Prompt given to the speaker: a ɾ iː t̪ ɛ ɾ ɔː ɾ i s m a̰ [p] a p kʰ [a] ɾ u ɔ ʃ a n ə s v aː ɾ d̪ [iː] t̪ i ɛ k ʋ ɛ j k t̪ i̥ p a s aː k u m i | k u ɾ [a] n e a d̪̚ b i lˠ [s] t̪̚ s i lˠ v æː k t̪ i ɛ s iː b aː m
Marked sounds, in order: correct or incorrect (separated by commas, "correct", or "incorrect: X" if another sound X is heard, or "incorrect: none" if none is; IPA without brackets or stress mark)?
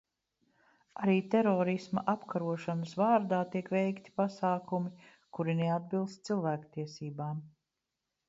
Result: incorrect: ʔ, correct, incorrect: aː, incorrect: i, correct